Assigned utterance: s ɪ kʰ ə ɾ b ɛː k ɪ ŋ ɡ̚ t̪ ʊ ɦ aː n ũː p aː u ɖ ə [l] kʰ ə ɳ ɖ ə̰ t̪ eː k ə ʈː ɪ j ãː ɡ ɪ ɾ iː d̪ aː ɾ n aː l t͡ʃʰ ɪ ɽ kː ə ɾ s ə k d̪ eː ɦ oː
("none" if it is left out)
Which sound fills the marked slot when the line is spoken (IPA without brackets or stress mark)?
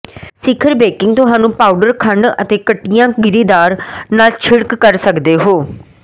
ɾ